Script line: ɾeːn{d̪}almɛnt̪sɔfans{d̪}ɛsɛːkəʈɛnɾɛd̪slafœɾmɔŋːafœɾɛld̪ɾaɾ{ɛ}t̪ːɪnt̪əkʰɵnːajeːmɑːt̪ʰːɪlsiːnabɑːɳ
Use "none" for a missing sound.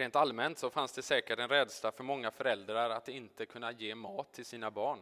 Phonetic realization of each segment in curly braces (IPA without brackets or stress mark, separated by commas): t̪, d̪, a